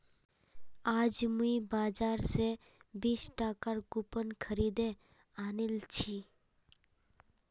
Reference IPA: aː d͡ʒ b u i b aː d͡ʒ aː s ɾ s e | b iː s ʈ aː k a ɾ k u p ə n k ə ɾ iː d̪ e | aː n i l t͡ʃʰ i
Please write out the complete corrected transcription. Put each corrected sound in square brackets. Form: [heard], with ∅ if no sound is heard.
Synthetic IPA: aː d͡ʒ [m] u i b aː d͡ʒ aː [∅] ɾ s e | b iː s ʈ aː k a ɾ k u p ə n [kʰ] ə ɾ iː d̪ e | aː n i l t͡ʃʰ i